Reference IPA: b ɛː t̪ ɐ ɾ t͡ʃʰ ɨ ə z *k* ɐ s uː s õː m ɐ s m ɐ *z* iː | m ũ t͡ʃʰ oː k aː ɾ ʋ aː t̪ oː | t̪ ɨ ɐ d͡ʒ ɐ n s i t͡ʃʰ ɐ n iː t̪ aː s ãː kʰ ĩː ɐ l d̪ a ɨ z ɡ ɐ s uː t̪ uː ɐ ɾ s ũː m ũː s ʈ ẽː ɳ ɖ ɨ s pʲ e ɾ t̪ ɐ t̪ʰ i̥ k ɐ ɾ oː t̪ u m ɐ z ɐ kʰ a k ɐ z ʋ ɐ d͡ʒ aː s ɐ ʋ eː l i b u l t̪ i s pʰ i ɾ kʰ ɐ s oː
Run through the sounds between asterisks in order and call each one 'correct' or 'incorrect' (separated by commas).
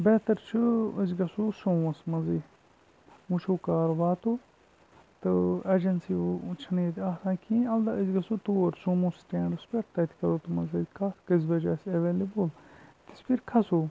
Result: incorrect, correct